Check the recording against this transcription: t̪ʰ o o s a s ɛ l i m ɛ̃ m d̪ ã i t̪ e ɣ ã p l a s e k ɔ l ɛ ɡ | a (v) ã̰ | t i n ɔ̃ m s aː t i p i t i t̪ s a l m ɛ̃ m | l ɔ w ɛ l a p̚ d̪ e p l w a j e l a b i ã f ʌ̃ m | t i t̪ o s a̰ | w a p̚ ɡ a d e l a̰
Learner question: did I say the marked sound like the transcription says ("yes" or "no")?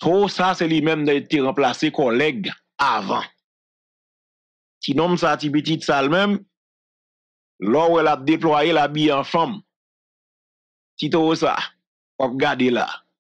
yes